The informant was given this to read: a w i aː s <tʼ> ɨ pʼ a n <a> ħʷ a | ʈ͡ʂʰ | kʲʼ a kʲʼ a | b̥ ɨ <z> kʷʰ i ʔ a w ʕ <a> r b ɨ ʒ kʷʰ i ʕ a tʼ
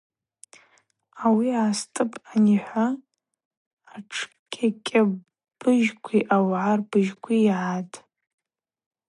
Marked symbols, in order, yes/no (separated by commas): yes, no, no, yes